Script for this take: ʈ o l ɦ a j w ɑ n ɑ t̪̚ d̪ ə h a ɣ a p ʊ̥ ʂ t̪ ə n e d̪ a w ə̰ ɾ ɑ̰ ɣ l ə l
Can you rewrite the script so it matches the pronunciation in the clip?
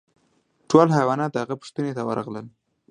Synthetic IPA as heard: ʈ o l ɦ a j w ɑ n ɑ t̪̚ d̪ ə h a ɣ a p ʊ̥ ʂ t̪ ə n e t̪ a w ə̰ ɾ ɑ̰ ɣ l ə l